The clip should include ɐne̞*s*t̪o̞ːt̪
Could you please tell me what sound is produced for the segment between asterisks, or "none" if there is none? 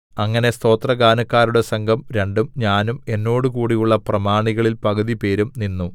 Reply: s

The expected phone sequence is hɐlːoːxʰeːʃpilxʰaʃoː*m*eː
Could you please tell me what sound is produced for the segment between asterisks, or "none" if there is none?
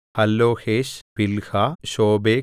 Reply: b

